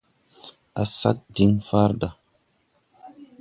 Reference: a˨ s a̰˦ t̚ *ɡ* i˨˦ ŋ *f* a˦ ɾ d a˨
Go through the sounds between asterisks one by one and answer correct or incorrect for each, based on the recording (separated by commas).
incorrect, correct